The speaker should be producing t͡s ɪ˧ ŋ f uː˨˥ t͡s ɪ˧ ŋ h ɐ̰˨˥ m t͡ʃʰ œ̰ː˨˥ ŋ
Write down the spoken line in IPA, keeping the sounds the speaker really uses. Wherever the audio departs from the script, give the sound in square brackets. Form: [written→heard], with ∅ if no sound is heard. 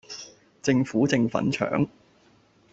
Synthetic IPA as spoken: t͡s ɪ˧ ŋ f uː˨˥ t͡s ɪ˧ ŋ [h→f] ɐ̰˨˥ [m→n] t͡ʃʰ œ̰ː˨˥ ŋ